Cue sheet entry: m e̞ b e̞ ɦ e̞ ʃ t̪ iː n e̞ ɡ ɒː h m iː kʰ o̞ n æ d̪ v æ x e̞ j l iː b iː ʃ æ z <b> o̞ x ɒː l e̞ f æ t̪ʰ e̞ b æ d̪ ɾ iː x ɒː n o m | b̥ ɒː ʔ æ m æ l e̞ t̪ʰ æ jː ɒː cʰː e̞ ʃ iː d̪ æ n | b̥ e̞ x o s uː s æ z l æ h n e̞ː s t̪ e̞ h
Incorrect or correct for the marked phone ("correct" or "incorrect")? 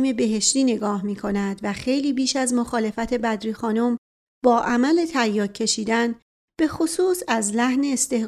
incorrect